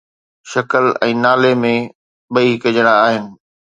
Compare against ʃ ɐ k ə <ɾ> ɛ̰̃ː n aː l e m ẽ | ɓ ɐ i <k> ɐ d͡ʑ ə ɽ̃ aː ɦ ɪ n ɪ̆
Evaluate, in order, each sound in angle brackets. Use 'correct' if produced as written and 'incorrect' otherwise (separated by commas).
incorrect, correct